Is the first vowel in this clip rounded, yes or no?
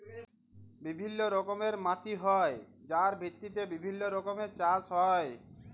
no